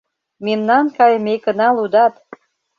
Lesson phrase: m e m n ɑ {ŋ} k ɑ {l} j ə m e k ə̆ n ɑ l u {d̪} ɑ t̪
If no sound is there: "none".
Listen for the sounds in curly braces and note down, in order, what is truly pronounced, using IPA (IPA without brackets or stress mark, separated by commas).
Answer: n, none, d̪